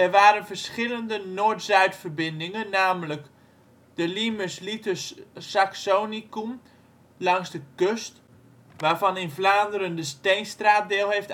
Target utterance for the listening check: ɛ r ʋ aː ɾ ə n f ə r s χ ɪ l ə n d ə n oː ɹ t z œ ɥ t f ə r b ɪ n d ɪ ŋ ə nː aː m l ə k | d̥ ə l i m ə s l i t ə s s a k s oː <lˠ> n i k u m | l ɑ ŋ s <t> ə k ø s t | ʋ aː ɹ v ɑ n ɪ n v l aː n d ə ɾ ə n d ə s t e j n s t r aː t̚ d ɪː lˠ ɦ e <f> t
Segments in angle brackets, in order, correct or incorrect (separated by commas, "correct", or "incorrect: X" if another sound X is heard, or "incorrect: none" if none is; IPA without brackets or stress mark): incorrect: none, incorrect: d, correct